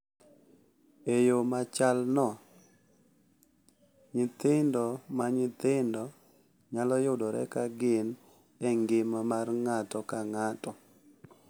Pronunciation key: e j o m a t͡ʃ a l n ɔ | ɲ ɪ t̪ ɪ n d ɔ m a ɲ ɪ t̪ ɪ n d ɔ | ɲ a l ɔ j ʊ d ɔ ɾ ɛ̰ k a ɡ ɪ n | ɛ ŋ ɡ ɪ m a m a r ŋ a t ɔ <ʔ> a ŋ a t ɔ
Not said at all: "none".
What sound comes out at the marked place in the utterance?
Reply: k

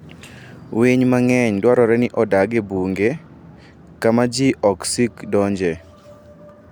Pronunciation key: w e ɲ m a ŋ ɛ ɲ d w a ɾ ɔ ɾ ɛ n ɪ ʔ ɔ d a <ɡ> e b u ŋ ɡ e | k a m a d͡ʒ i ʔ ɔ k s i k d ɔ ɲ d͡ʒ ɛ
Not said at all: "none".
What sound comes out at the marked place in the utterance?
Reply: ɡ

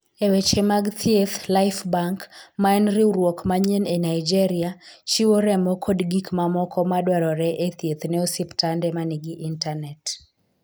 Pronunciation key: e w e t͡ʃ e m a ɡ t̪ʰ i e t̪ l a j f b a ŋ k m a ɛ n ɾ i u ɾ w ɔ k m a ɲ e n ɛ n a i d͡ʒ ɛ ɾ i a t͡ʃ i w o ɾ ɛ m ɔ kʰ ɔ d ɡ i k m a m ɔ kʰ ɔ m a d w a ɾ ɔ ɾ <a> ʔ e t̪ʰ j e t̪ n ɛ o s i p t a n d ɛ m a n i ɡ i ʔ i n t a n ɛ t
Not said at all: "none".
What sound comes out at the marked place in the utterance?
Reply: ɛ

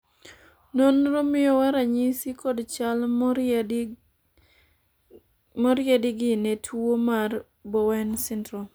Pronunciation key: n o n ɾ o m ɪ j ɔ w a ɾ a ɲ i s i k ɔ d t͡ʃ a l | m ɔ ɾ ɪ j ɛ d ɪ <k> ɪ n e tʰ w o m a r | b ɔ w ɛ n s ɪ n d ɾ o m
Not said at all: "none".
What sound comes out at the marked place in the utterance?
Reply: ɡ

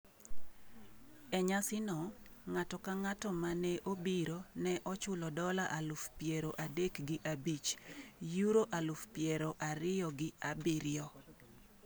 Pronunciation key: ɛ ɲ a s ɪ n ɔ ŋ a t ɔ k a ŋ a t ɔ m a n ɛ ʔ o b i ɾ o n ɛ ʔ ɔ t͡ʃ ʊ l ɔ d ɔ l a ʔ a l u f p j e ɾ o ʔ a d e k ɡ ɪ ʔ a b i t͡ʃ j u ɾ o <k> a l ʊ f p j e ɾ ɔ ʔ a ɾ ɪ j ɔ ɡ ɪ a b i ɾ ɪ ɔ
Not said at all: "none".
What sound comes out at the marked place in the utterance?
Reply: ʔ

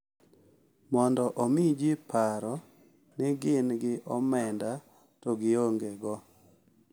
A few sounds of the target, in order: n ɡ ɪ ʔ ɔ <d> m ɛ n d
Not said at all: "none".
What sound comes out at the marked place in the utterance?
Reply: none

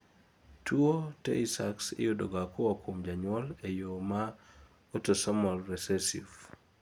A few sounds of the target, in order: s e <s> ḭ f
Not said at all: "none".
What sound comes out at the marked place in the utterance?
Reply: s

